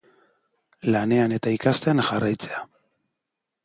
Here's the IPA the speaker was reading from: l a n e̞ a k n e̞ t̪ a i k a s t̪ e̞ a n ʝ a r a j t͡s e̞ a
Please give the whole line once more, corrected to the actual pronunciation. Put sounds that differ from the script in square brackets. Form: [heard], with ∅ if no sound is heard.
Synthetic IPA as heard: l a n e̞ a [∅] n e̞ t̪ a i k a s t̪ e̞ a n ʝ a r a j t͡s e̞ a